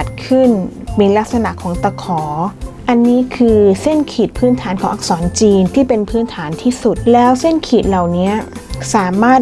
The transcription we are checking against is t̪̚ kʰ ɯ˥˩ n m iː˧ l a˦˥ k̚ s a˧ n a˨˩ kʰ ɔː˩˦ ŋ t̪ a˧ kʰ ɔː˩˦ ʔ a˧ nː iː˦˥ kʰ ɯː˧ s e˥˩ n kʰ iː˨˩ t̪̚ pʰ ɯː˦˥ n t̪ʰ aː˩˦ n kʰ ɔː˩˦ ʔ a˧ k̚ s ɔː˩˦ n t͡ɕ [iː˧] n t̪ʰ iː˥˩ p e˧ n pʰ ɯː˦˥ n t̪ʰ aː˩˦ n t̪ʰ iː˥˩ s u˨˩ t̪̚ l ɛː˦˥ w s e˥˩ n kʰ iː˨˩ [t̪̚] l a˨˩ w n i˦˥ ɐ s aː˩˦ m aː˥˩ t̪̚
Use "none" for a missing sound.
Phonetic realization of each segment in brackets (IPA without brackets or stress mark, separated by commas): iː˧, t̪̚